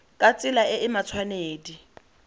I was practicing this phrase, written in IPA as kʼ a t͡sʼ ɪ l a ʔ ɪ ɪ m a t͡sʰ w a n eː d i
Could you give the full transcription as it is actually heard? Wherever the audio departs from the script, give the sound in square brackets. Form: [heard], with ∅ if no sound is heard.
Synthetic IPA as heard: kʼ a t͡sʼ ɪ l a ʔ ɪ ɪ m a t͡sʰ w a n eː d i